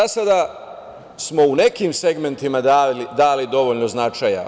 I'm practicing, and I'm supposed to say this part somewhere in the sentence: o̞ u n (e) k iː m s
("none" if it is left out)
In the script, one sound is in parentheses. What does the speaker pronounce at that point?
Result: e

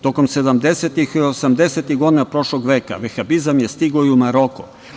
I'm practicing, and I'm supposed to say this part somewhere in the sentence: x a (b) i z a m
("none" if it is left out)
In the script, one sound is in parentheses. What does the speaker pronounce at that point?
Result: b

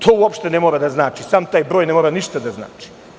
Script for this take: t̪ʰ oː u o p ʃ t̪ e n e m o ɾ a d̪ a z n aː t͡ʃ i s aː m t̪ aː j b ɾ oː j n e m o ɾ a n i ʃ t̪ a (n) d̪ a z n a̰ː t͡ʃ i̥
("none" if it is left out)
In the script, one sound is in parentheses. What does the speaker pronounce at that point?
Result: none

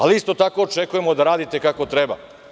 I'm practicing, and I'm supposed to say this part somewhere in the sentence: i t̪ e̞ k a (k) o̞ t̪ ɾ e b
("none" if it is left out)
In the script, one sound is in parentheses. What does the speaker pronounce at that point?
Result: k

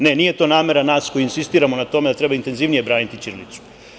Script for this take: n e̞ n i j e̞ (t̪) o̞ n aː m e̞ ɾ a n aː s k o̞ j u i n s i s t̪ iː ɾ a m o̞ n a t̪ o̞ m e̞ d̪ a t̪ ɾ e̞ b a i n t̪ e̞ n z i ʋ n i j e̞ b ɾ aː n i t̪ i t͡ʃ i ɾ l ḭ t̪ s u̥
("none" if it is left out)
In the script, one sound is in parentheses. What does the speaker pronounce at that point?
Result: t̪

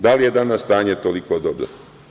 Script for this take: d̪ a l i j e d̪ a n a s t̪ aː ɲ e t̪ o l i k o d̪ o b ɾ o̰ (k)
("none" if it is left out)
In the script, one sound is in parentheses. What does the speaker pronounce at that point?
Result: none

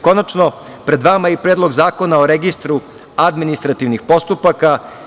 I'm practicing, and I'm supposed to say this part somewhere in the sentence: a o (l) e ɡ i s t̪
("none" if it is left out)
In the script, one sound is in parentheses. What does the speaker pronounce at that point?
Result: ɾ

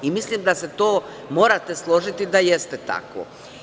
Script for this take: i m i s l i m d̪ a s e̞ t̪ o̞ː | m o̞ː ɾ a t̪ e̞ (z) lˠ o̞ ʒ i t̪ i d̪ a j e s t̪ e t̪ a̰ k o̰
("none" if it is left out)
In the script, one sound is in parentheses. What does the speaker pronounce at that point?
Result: s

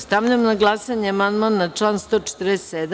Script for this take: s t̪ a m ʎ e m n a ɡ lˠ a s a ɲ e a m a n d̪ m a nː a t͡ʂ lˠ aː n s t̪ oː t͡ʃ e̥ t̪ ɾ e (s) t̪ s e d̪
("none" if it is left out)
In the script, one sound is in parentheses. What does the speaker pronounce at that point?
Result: s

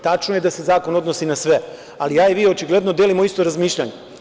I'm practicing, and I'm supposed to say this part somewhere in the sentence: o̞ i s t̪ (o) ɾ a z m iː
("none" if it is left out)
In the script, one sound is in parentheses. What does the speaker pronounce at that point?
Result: o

